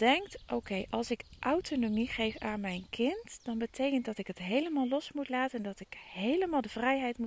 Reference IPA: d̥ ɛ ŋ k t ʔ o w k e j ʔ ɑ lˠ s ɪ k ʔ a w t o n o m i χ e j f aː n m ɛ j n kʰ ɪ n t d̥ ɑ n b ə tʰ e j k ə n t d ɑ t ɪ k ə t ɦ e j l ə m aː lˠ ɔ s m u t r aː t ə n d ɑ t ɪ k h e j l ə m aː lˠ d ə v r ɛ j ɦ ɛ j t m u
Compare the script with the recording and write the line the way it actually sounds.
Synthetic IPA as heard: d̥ ɛ ŋ k t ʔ o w k e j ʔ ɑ lˠ s ɪ k ʔ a w t o n o m i χ e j f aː n m ɛ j n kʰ ɪ n t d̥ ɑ n b ə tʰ e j k ə n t d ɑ t ɪ k ə t ɦ e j l ə m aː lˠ ɔ s m u t l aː t ə n d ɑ t ɪ k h e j l ə m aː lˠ d ə v r ɛ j ɦ ɛ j t m u